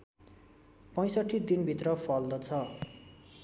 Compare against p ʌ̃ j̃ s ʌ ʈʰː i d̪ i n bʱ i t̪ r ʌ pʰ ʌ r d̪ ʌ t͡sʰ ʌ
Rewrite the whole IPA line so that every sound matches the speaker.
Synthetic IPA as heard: p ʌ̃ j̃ s ʌ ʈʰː i d̪ i n bʱ i t̪ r ʌ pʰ ʌ l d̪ ʌ t͡sʰ ʌ